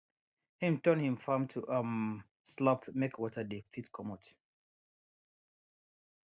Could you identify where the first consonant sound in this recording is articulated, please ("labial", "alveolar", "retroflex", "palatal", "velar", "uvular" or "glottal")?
glottal